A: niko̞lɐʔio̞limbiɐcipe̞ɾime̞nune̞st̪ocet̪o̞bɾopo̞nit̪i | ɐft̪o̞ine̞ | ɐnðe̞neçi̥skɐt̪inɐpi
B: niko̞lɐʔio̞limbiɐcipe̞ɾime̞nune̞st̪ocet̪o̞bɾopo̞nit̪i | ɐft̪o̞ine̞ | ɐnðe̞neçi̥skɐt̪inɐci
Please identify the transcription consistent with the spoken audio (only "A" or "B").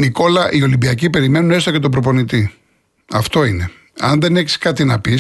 A